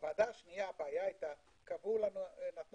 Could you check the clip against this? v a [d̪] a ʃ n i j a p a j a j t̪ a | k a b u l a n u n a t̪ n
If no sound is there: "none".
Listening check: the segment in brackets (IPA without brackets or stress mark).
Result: d̪